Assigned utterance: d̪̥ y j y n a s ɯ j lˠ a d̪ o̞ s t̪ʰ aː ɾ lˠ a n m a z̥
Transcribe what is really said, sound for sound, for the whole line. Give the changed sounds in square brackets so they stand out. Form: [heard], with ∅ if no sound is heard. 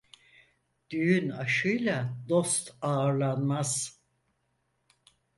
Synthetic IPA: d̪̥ y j y n a [ʃ] ɯ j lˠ a d̪ o̞ s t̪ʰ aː ɾ lˠ a n m a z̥